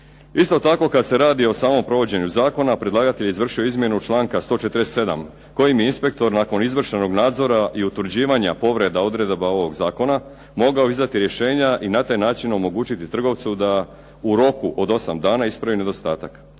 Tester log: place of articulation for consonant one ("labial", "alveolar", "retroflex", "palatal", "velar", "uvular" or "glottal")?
alveolar